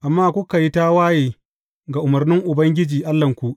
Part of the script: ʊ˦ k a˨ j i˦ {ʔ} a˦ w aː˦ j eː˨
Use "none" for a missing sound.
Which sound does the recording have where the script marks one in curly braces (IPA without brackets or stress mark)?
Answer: t